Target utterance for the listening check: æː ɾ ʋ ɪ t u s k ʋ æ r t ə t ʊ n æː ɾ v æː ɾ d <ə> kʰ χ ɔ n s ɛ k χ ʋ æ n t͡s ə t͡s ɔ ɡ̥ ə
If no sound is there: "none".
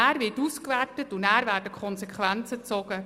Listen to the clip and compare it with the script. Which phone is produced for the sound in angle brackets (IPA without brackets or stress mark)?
ə